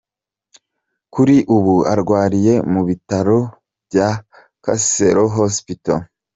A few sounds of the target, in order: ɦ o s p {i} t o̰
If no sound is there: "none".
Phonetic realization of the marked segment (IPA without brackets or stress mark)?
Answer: i